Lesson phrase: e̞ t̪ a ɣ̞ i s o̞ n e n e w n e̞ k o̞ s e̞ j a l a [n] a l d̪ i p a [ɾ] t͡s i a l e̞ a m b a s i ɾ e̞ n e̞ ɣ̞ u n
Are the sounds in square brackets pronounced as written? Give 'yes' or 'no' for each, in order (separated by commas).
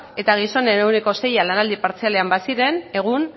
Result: yes, yes